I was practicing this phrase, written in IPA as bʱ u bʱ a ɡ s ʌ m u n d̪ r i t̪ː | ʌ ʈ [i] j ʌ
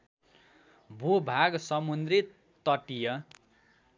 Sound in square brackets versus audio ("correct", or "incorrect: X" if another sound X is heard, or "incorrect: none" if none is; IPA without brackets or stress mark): correct